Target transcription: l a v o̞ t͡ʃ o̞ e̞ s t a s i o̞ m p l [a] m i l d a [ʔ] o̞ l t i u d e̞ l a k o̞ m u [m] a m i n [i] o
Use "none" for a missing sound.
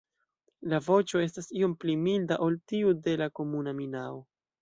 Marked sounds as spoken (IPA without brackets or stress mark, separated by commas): i, ʔ, n, a